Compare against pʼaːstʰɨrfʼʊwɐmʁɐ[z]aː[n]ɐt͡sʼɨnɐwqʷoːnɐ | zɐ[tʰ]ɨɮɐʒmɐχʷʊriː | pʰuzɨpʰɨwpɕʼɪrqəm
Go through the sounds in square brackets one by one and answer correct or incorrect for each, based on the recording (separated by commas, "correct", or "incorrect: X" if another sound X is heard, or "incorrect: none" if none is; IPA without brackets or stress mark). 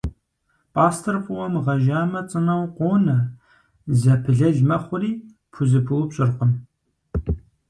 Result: incorrect: ʒ, incorrect: m, incorrect: pʰ